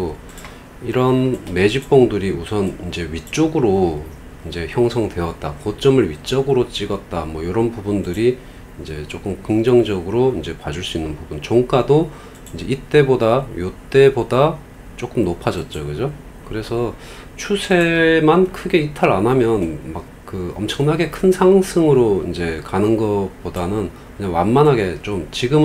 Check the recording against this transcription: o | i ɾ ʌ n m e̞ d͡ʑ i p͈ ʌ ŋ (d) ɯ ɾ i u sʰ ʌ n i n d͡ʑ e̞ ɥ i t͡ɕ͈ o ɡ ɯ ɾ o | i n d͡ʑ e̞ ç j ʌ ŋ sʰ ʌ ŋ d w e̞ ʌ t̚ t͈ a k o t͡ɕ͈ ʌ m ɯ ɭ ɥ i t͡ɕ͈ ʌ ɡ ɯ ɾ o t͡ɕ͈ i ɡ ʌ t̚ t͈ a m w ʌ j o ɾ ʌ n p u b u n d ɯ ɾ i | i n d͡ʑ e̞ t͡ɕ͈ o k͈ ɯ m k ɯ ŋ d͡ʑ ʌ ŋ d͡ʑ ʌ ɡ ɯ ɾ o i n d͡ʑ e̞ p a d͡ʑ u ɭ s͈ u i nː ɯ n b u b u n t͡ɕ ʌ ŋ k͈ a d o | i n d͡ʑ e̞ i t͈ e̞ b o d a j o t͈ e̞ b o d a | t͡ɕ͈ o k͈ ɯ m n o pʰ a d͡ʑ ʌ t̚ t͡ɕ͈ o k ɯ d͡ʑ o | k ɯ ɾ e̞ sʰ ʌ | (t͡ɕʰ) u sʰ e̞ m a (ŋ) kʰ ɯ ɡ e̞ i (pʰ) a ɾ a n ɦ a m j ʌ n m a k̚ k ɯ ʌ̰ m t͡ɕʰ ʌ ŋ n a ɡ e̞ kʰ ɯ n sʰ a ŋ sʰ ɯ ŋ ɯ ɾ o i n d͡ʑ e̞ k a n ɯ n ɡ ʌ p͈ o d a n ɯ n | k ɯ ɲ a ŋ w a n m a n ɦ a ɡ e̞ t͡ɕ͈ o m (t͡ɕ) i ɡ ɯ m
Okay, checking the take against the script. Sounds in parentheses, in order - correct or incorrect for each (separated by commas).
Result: correct, correct, incorrect, incorrect, correct